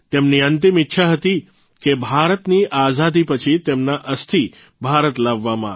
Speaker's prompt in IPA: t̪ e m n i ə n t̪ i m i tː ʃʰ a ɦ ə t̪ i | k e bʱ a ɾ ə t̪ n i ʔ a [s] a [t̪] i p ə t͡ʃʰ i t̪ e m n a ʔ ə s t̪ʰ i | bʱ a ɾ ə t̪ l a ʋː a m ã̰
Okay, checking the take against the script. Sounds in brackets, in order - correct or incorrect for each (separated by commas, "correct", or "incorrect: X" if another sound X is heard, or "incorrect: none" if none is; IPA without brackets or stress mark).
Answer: incorrect: z, incorrect: d̪